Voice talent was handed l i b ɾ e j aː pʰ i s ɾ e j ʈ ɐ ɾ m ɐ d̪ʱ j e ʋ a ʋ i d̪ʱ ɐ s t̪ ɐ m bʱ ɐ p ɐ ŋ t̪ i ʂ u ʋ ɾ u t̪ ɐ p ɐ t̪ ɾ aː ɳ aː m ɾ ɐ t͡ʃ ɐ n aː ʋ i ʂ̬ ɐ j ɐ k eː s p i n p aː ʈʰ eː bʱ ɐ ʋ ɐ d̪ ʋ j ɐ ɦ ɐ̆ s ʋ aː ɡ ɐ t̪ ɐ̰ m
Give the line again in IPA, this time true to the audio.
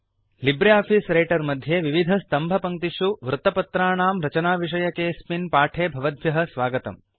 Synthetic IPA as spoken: l i b ɾ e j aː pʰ i s ɾ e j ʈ ɐ ɾ m ɐ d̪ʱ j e ʋ i ʋ i d̪ʱ ɐ s t̪ ɐ m bʱ ɐ p ɐ ŋ t̪ i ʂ u ʋ ɾ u t̪ ɐ p ɐ t̪ ɾ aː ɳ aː m ɾ ɐ t͡ʃ ɐ n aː ʋ i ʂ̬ ɐ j ɐ k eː s p i n p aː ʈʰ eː bʱ ɐ ʋ ɐ d̪ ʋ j ɐ ɦ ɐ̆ s ʋ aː ɡ ɐ t̪ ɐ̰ m

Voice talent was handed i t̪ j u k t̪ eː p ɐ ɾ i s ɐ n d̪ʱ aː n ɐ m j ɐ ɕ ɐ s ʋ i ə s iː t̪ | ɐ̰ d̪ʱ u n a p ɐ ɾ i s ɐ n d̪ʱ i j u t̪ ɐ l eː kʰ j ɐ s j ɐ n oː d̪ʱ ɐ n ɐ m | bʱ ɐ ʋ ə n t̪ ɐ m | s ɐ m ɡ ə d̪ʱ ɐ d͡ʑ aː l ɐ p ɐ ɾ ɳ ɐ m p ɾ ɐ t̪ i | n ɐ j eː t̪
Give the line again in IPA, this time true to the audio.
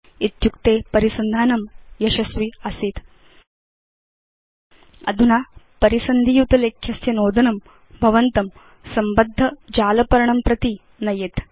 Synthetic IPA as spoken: i t̪ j u k t̪ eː p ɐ ɾ i s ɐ n d̪ʱ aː n ɐ m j ɐ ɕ ɐ s ʋ i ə s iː t̪ | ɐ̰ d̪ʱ u n a p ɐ ɾ i s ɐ n d̪ʱ i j u t̪ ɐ l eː kʰ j ɐ s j ɐ n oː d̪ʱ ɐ n ɐ m | bʱ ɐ ʋ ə n t̪ ɐ m | s ɐ m b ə d̪ʱː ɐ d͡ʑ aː l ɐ p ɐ ɾ ɳ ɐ m p ɾ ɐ t̪ i | n ɐ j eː t̪

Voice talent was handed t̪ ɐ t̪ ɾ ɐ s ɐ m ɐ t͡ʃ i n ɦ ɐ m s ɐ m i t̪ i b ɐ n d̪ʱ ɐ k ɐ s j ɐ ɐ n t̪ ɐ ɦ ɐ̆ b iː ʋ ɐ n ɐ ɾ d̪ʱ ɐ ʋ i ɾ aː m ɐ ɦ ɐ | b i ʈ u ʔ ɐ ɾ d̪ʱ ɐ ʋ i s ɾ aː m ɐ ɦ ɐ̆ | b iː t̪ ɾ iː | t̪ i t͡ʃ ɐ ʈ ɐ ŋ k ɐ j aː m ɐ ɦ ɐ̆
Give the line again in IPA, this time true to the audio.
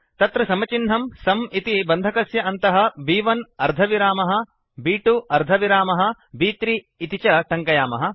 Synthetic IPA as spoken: t̪ ɐ t̪ ɾ ɐ s ɐ m ɐ t͡ʃ i n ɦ ɐ m s ɐ m i t̪ i b ɐ n d̪ʱ ɐ k ɐ s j ɐ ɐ n t̪ ɐ ɦ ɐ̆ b iː ʋ ɐ n ɐ ɾ d̪ʱ ɐ ʋ i ɾ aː m ɐ ɦ ɐ | b iː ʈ u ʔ ɐ ɾ d̪ʱ ɐ ʋ i ɾ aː m ɐ ɦ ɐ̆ | b iː t̪ ɾ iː | t̪ i t͡ʃ ɐ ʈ ɐ ŋ k ɐ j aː m ɐ ɦ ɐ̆

